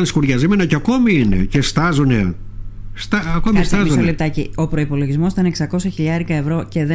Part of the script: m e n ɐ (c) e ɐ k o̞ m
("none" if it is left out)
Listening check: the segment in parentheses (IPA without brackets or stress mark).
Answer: c